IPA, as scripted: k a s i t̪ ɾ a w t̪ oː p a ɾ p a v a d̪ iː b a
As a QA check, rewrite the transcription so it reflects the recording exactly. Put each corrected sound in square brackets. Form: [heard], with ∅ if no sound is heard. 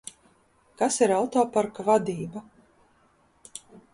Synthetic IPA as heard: k a s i [∅] ɾ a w t̪ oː p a ɾ [k] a v a d̪ iː b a